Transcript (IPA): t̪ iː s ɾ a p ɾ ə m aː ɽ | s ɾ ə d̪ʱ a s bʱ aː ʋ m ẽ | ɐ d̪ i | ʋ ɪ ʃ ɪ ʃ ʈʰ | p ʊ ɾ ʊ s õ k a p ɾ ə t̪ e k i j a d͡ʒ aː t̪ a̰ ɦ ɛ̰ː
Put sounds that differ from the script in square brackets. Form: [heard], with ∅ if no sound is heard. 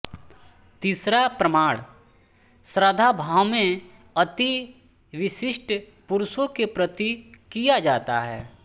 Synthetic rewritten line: t̪ iː s ɾ a p ɾ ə m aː ɽ | s ɾ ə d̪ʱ a [∅] bʱ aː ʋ m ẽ | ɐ [t̪] i | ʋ ɪ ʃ ɪ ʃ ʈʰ | p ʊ ɾ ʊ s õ k [e] p ɾ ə t̪ [i] k i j a d͡ʒ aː t̪ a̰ ɦ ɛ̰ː